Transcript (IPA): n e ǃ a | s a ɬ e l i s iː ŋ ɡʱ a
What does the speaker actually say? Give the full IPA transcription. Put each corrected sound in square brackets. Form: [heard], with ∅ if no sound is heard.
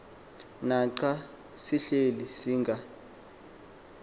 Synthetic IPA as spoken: n [a] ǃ a | s [i] ɬ e l i s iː ŋ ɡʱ a